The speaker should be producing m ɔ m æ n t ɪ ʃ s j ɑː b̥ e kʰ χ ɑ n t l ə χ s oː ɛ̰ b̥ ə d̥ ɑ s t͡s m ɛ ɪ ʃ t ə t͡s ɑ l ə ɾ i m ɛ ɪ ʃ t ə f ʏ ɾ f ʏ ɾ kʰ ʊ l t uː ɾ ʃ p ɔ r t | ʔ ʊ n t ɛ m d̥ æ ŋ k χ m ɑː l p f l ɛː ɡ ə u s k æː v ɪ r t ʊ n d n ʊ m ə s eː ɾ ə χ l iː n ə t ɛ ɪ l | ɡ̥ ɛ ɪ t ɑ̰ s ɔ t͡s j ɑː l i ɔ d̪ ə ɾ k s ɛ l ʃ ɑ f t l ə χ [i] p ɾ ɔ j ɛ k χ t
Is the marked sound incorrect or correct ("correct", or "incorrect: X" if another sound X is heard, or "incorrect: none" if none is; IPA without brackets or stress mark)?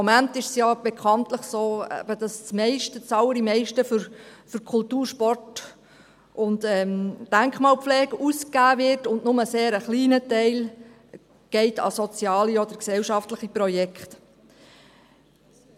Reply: correct